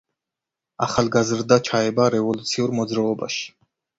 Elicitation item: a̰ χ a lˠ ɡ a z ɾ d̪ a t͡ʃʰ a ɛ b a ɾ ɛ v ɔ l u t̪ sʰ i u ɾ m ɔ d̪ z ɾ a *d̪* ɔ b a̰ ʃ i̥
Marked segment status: incorrect: none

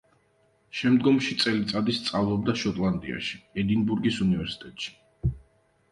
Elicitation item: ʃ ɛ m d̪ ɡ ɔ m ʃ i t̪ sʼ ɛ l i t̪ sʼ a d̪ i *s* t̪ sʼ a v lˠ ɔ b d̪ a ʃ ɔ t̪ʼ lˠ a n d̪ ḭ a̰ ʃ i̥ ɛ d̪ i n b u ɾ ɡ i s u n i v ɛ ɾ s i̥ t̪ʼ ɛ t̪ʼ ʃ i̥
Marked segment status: correct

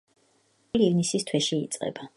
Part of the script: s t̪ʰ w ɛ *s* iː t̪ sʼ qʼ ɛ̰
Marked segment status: incorrect: ʃ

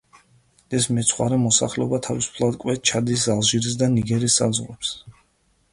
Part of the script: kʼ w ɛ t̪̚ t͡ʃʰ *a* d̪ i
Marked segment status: correct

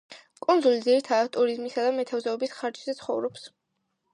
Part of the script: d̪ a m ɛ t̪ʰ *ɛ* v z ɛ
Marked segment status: incorrect: a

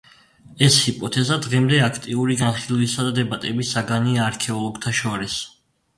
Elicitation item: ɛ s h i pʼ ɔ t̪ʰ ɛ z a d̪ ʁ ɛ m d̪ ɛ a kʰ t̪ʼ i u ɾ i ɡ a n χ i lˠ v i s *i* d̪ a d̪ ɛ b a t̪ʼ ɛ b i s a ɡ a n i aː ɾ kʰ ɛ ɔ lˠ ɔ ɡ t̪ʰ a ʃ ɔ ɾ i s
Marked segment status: incorrect: a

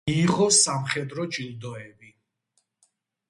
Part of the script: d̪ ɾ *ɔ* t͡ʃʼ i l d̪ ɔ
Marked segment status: correct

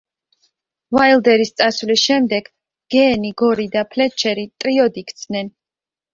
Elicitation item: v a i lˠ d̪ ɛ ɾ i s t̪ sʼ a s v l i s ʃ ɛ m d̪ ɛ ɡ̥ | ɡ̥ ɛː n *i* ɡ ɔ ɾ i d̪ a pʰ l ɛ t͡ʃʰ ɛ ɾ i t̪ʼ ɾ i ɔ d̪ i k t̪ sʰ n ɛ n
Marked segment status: correct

